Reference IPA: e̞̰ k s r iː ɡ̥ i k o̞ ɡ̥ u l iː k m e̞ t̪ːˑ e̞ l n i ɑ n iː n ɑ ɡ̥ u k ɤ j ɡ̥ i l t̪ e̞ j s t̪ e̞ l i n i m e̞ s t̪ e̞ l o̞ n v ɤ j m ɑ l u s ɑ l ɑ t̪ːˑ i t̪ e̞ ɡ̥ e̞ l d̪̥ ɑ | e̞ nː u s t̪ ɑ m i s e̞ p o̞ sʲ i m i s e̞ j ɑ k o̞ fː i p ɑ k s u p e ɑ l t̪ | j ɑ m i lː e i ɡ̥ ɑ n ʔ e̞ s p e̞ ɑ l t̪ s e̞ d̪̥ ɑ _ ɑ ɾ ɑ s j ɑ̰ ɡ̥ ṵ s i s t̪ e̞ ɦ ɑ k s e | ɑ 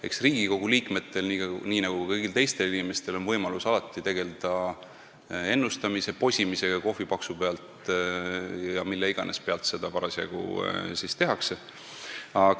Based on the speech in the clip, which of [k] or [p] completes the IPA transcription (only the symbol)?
p